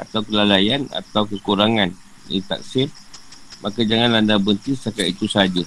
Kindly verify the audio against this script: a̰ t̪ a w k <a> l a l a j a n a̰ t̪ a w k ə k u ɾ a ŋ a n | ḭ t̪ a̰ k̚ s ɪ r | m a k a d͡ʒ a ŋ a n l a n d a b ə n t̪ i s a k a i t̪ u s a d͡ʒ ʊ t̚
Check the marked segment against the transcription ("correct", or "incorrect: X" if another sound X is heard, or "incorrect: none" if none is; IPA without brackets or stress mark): incorrect: ə